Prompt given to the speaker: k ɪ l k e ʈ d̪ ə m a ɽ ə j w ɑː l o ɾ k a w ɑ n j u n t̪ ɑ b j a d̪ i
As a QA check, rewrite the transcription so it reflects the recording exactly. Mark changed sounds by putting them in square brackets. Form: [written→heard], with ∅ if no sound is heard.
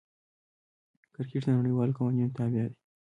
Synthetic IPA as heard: k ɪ [l→ɾ] k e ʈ d̪ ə [m→n] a ɽ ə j w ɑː l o [ɾ→∅] k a w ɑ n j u n t̪ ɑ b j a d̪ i